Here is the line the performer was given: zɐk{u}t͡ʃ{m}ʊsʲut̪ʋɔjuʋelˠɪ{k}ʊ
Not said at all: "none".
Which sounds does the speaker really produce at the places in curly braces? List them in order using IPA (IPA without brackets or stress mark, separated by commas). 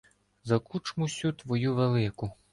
u, m, k